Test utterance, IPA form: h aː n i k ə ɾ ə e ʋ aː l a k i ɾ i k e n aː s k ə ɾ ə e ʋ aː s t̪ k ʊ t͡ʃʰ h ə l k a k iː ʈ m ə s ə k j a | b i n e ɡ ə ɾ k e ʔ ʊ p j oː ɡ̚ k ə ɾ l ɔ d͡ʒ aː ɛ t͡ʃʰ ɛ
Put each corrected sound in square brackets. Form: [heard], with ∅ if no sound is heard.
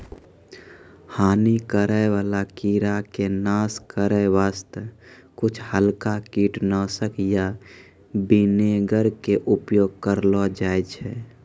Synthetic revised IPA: h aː n i k ə ɾ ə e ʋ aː l a k i ɾ [a] k e n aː s k ə ɾ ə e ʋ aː s t̪ k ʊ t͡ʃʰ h ə l k a k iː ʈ [n] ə s ə k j a | b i n e ɡ ə ɾ k e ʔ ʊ p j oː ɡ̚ k ə ɾ l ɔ d͡ʒ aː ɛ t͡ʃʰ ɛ